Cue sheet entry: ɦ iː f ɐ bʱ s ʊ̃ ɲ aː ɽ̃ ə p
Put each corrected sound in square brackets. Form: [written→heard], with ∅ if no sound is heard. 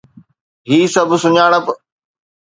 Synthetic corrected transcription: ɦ iː [f→s] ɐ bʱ s [ʊ̃→ʊ] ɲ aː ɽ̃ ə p